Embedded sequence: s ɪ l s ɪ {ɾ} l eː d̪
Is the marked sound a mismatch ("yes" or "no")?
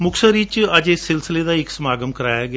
yes